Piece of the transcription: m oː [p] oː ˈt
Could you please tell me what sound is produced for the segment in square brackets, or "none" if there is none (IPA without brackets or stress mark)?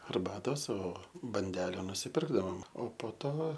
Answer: p